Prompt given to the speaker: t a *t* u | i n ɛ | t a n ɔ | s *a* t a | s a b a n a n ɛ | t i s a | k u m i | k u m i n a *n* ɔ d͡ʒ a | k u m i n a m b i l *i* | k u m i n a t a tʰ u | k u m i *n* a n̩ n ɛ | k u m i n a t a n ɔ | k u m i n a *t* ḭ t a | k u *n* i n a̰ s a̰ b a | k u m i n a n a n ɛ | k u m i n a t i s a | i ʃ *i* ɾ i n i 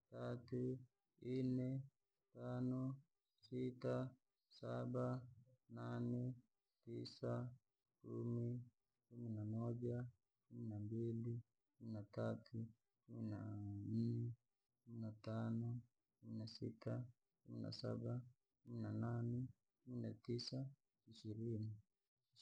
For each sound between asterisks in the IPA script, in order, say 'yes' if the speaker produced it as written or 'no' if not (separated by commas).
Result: yes, no, no, yes, yes, no, no, yes